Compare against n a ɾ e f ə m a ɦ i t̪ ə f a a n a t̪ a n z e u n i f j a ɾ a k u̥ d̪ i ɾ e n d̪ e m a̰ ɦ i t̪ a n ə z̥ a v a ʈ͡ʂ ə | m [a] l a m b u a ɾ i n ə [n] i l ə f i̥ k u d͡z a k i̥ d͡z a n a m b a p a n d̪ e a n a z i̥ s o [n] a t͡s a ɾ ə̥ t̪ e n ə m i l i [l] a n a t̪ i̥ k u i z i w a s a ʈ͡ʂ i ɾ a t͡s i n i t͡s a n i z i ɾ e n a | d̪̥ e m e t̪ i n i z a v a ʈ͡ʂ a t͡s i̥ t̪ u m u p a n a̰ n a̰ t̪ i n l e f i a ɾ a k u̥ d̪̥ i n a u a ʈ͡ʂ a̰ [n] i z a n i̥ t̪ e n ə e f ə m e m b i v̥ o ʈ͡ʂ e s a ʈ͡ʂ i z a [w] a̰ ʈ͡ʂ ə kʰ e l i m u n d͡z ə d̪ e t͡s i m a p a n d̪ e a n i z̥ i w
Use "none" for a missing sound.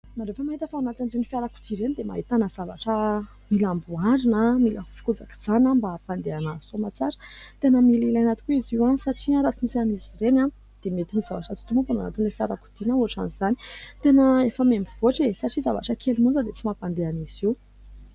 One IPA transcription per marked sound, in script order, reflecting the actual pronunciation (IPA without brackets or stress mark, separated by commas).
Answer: i, m, m, l, n, v